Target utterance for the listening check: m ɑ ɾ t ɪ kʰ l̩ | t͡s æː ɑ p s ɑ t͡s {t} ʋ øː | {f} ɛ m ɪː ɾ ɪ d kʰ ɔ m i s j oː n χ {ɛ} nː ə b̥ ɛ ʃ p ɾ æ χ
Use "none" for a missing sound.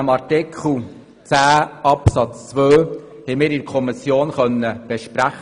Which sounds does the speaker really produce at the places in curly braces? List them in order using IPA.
t͡s, h, œ

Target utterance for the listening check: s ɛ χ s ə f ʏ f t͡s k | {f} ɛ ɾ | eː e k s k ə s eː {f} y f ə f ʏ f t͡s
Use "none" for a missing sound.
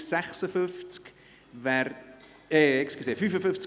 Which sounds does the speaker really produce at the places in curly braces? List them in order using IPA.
v, f

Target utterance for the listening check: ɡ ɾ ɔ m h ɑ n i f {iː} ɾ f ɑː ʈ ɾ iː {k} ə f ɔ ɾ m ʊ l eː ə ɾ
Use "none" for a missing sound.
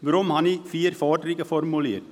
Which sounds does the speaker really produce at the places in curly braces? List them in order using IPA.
iː, k

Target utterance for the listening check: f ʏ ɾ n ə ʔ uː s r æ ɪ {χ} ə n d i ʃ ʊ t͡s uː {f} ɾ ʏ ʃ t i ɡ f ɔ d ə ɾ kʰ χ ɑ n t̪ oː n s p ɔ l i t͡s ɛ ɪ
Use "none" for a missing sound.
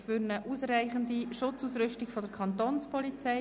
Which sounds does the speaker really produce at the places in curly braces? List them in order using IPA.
χ, s

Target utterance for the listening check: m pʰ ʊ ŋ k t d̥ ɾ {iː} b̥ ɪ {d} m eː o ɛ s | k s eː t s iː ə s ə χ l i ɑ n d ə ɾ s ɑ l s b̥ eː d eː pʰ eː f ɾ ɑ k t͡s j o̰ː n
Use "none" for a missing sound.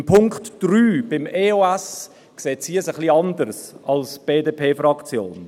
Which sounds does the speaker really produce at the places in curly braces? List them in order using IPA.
yː, none

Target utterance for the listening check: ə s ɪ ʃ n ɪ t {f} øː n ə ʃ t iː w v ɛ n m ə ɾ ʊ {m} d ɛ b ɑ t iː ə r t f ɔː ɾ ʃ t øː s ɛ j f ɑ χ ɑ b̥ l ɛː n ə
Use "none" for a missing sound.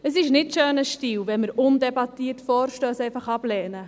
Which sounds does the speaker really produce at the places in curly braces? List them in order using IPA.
ʃ, n

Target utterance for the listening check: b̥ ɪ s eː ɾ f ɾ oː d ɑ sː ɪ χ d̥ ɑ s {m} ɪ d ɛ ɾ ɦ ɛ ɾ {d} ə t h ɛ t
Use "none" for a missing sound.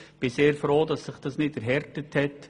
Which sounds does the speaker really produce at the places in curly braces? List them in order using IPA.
n, t

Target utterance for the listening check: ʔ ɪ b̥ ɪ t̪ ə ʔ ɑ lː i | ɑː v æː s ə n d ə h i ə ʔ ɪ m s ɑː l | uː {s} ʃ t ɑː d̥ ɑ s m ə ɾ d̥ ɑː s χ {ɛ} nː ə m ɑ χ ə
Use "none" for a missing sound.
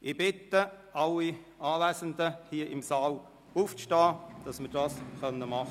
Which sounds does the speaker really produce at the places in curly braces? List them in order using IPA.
f, œ

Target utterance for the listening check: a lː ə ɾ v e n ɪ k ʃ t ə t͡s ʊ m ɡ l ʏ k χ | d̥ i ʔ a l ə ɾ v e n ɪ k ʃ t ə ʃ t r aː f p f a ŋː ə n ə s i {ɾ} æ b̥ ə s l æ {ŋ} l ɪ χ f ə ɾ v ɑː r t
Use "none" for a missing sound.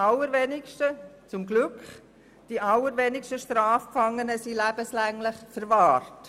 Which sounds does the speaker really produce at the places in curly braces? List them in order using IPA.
l, ŋ

